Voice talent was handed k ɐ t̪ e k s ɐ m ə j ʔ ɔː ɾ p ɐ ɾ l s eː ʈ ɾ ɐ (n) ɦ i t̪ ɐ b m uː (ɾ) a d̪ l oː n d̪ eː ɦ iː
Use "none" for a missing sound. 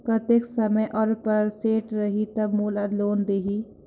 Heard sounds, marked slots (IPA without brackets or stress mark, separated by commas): none, l